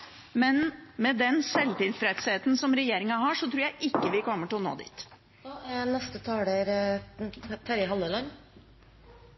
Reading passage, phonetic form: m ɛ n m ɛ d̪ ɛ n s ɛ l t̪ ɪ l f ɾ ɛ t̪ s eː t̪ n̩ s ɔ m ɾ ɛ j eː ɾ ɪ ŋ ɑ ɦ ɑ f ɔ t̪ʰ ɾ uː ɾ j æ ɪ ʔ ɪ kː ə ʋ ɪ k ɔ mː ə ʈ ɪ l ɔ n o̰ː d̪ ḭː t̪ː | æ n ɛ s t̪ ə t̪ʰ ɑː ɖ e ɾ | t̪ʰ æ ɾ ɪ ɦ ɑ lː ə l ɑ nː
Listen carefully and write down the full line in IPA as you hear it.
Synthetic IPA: m ɛ n m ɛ d̪ ɛ n s ɛ l t̪ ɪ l f ɾ ɛ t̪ s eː t̪ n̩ s ɔ m ɾ ɛ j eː ɾ ɪ ŋ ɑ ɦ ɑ ʂ ɔ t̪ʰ ɾ uː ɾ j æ ɪ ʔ ɪ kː ə ʋ ɪ k ɔ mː ə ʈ ɪ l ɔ n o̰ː d̪ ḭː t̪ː | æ n ɛ s t̪ ə t̪ʰ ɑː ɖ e ɾ | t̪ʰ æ ɾ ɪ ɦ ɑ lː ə l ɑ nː